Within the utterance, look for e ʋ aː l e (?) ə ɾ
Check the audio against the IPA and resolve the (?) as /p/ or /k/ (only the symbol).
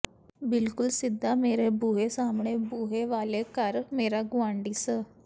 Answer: k